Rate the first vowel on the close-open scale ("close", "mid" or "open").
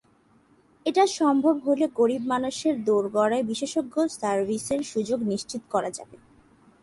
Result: mid